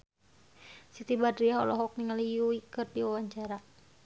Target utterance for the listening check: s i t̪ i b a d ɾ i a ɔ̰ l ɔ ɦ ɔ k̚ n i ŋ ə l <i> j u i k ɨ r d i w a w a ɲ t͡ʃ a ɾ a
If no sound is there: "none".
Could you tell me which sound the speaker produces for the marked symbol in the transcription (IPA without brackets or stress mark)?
i